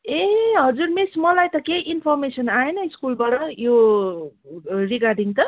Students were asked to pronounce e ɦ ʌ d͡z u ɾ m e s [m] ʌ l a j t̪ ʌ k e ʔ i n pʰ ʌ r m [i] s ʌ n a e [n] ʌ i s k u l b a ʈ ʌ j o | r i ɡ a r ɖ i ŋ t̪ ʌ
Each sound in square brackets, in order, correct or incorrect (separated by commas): correct, incorrect, correct